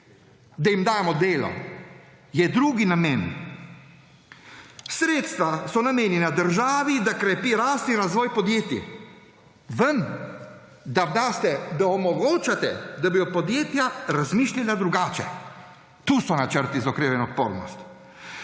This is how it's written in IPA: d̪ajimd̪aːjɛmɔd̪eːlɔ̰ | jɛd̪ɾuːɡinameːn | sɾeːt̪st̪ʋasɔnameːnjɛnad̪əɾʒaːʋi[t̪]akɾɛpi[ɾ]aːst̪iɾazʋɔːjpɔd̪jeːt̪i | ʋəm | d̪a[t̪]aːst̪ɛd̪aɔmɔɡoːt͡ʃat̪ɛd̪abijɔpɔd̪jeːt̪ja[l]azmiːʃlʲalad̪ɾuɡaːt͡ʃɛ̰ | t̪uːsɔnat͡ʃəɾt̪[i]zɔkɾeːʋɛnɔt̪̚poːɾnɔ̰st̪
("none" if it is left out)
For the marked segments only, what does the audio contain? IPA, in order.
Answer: d̪, ɾ, d̪, ɾ, i

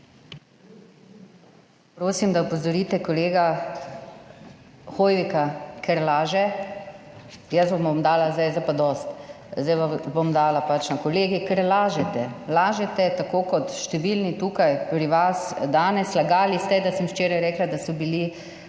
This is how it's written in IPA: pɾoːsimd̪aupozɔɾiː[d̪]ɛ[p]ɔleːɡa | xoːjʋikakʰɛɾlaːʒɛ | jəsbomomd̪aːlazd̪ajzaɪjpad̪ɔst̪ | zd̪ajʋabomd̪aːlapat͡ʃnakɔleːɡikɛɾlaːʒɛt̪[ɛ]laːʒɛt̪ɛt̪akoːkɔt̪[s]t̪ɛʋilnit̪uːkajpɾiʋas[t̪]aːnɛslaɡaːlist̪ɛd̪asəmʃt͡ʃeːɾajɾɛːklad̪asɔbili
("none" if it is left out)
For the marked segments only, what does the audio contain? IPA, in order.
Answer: t̪, k, ɛ, ʃ, d̪

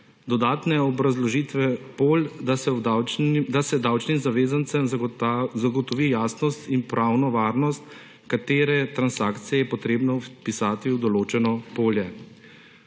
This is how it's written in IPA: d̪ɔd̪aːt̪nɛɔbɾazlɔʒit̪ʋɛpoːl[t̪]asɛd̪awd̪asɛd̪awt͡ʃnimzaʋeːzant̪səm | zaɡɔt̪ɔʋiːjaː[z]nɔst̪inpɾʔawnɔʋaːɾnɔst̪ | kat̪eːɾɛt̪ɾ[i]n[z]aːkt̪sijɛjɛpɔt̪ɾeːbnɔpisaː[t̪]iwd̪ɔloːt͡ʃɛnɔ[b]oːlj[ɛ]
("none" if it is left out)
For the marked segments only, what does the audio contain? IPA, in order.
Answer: d̪, s, a, s, t̪, p, ɛ

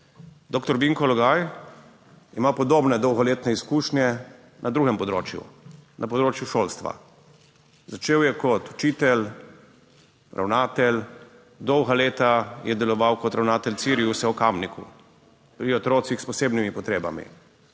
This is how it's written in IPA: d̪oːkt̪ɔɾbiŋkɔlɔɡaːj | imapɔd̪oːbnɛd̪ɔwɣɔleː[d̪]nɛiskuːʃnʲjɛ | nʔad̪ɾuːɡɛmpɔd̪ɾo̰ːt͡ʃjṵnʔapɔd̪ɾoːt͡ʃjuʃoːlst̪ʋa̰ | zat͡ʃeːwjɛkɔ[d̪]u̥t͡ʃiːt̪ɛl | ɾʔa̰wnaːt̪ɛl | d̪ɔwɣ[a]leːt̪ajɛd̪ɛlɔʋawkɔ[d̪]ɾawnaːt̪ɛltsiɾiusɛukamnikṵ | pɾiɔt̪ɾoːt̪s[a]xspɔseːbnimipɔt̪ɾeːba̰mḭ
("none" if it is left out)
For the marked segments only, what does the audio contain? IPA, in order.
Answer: t̪, t̪, a, t̪, i

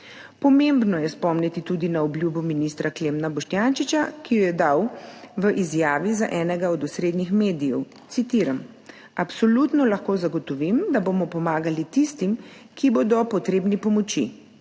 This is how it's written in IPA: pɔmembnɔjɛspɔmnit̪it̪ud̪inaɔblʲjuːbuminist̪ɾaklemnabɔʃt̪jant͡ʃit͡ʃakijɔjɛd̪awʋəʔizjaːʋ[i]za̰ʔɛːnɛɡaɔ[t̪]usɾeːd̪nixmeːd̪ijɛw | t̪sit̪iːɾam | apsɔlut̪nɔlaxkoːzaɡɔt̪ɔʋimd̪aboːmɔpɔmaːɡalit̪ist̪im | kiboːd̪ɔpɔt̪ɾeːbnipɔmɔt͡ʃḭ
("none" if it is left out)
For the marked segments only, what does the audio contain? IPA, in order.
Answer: i, d̪

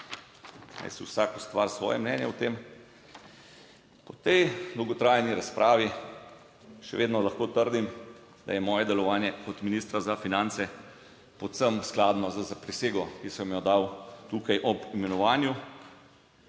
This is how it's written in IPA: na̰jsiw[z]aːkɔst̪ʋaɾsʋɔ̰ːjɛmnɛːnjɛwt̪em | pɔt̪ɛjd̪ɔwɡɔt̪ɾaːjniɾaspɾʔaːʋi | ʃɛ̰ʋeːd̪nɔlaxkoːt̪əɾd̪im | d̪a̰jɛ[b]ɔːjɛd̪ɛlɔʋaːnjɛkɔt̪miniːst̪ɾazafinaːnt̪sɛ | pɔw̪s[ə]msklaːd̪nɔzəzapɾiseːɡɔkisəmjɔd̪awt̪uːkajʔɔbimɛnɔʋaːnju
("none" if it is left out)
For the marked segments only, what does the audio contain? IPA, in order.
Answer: s, m, ə

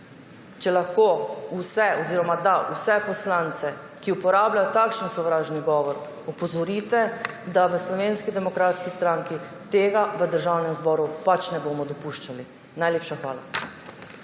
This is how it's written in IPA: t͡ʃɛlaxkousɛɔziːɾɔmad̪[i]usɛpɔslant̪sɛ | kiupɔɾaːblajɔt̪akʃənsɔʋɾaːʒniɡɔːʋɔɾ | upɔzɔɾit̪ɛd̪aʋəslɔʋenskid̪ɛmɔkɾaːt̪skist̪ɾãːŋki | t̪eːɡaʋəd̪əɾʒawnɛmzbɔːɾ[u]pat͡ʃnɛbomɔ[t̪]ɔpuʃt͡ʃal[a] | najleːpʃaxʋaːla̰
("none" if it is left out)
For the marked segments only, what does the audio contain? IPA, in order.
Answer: a, u, d̪, i

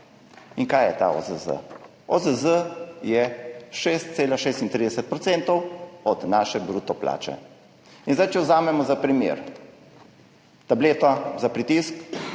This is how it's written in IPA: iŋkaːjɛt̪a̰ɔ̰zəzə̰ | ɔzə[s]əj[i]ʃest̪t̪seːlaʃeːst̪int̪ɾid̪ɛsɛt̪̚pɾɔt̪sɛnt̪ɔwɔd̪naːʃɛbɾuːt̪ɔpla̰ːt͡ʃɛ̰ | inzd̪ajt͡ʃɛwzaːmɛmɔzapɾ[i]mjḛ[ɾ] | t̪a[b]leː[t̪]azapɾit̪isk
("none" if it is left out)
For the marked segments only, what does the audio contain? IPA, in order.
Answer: z, ɛ, i, ɾ, b, t̪

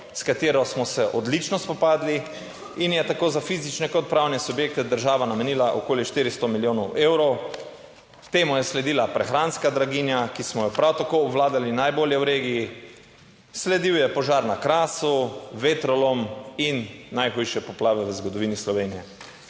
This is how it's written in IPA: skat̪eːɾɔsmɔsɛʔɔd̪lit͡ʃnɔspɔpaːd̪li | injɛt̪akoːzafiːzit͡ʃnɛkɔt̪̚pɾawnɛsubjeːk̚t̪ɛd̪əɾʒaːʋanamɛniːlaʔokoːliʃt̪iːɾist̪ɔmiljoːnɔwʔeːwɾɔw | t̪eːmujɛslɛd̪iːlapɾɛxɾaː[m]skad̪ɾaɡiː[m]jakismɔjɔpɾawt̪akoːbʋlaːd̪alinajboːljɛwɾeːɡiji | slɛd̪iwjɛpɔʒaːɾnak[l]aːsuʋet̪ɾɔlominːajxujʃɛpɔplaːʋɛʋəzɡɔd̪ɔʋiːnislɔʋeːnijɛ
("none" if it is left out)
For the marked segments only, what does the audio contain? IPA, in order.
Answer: n, n, ɾ

